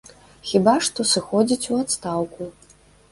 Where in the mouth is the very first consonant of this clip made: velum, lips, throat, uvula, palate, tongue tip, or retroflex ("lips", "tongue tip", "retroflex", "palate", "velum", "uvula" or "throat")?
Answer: velum